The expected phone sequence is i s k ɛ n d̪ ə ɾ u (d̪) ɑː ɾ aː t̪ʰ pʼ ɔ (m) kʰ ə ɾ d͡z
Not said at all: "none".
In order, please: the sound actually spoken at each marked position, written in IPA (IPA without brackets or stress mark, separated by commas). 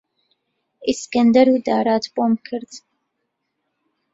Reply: d̪, m